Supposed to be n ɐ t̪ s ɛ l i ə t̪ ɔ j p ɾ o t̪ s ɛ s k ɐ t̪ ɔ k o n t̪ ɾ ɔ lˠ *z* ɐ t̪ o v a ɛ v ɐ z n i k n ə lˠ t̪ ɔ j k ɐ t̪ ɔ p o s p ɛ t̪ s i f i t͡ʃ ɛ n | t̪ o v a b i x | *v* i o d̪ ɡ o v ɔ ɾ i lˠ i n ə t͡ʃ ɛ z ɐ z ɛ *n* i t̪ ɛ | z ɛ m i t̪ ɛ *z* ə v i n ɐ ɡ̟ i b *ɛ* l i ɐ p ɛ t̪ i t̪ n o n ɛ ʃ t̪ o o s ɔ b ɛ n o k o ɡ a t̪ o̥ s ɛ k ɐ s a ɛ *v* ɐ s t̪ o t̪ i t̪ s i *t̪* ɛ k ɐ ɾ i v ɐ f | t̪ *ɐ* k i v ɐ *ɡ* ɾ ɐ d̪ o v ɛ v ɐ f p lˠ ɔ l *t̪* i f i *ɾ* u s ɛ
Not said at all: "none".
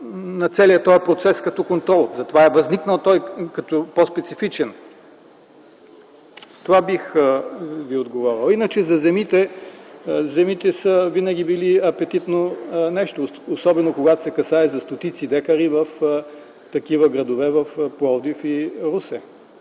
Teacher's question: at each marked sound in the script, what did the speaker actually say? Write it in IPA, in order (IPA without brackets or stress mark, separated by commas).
z, v, m, s, i, z, d̪, ɐ, ɡ, d̪, ɾ